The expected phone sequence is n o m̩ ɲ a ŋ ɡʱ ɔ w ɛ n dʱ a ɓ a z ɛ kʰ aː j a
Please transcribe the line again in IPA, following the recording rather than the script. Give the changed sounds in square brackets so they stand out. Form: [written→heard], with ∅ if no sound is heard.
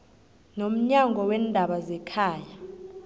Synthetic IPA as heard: n o m̩ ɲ a ŋ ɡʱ ɔ w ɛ n dʱ a ɓ a z ɛ kʰ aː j a